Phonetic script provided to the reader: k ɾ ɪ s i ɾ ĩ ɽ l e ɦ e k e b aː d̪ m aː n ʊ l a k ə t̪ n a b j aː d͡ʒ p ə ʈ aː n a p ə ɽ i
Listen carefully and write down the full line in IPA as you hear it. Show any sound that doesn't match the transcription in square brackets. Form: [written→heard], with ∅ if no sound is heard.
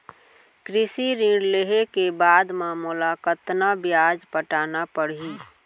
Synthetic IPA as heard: k ɾ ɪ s i ɾ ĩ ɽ l e ɦ e k e b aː d̪ m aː [n→m] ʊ l a k ə t̪ n a b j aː d͡ʒ p ə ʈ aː n a p ə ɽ i